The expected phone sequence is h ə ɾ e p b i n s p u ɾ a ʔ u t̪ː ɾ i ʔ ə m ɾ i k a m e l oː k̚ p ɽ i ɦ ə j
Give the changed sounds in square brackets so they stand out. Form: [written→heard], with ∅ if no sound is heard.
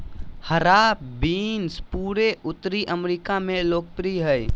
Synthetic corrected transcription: h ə ɾ [e→a] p b i n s p u ɾ [a→e] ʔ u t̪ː ɾ i ʔ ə m ɾ i k a m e l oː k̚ p [ɽ→ɾ] i ɦ ə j

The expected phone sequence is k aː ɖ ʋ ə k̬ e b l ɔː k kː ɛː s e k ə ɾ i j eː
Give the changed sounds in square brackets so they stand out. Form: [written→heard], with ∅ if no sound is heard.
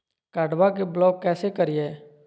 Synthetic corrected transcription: k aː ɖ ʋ [ə→a] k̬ e b l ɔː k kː ɛː s e k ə ɾ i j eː

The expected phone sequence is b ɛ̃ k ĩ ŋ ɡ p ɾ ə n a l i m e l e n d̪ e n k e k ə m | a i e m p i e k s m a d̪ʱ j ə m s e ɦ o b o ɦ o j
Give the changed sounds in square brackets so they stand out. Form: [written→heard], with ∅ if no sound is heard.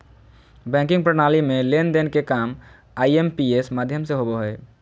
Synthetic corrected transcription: b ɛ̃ k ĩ ŋ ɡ p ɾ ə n a l i m e l e n d̪ e n k e k [ə→a] m | a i e m p i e [k→∅] s m a d̪ʱ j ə m s e ɦ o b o ɦ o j

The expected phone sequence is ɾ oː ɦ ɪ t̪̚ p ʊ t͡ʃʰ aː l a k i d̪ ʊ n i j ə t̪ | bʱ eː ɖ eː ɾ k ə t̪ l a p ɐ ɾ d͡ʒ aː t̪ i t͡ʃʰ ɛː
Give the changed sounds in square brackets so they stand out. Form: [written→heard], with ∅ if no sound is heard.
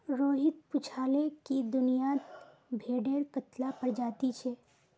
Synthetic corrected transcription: ɾ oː ɦ ɪ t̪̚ p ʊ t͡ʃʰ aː l [a→e] k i d̪ ʊ n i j [ə→a] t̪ | bʱ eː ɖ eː ɾ k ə t̪ l a p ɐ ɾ d͡ʒ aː t̪ i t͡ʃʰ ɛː

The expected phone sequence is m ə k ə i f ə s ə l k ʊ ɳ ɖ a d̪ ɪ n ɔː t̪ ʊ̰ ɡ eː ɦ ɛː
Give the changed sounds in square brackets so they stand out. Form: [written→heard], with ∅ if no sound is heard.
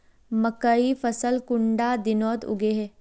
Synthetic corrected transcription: m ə k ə i f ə s ə l k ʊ ɳ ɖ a d̪ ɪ n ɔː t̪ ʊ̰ ɡ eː ɦ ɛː

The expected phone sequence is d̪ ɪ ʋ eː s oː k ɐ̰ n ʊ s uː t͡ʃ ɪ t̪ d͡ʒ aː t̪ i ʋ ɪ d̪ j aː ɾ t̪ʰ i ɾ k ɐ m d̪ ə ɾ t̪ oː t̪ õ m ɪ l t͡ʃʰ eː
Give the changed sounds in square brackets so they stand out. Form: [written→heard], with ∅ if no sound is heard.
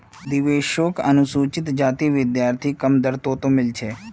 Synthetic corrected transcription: d̪ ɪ ʋ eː [s→ʃ] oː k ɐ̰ n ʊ s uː t͡ʃ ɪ t̪ d͡ʒ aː t̪ i ʋ ɪ d̪ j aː ɾ t̪ʰ i [ɾ→∅] k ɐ m d̪ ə ɾ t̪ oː t̪ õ m ɪ l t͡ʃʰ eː

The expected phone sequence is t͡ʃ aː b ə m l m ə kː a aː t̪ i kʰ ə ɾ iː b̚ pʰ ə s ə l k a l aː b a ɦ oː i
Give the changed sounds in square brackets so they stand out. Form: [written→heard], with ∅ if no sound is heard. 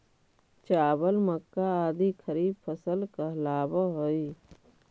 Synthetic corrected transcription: t͡ʃ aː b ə [m→∅] l m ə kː a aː [t̪→d̪] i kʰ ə ɾ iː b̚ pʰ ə s ə l k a l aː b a ɦ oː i

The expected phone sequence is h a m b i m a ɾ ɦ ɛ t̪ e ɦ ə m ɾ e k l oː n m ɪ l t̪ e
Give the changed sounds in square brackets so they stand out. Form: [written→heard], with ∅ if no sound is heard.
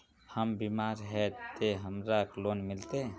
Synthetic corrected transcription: h [a→ə] m b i m a ɾ ɦ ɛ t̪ e ɦ ə m ɾ [e→a] k l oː n m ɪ l t̪ e

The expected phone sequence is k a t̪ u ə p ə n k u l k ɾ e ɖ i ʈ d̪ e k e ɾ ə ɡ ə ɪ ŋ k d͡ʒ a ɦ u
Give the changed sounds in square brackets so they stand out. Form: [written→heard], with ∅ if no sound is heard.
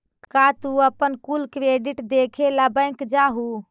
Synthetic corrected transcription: k a t̪ u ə p ə n k u l k ɾ e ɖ i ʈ d̪ e [k→kʰ] e [ɾ→l] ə [ɡ→b] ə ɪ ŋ k d͡ʒ a ɦ u

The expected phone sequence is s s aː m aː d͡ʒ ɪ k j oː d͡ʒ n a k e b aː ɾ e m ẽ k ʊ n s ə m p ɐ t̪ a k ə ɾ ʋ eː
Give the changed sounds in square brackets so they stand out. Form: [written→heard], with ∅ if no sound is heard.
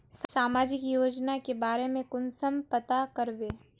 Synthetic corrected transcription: s s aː m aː d͡ʒ ɪ k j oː d͡ʒ n a k e b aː ɾ e m ẽ k ʊ n s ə m p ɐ t̪ a k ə ɾ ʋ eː

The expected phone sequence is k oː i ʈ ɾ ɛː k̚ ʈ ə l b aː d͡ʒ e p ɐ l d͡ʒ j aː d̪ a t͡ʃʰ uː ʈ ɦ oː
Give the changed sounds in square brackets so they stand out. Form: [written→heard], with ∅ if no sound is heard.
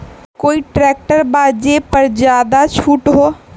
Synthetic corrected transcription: k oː i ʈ ɾ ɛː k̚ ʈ ə [l→ɾ] b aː d͡ʒ e p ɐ [l→ɾ] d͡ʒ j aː d̪ a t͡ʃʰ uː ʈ ɦ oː

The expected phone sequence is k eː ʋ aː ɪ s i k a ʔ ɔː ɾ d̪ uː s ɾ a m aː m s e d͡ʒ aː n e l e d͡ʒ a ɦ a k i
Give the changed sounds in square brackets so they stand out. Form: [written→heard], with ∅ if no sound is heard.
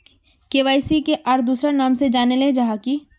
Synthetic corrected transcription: k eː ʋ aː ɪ s i k [a→e] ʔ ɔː ɾ d̪ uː s ɾ a [m→n] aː m s e d͡ʒ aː n e l e d͡ʒ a ɦ a k i

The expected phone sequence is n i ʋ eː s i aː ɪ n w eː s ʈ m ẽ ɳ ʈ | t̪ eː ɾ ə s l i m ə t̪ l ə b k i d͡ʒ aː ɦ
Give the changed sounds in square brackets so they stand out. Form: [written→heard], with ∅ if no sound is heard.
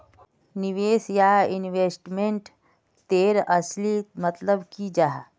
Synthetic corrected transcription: n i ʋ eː s [i→j] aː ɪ n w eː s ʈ m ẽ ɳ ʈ | t̪ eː ɾ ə s l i m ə t̪ l ə b k i d͡ʒ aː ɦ

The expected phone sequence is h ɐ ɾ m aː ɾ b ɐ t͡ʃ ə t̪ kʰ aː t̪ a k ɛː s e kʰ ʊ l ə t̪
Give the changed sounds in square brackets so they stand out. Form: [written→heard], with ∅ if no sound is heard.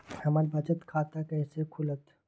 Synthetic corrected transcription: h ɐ [ɾ→∅] m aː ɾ b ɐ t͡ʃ ə t̪ kʰ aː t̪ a k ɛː s e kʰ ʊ l ə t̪

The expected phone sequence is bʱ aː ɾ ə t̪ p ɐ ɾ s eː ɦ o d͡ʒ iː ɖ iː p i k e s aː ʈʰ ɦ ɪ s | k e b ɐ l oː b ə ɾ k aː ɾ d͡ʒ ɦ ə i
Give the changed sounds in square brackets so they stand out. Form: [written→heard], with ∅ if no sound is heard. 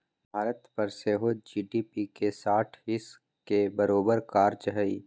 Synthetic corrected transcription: bʱ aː ɾ ə t̪ p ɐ ɾ s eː ɦ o d͡ʒ iː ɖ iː p i k e s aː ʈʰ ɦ ɪ s | k e b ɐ [l→ɾ] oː b ə ɾ k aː ɾ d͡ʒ ɦ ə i

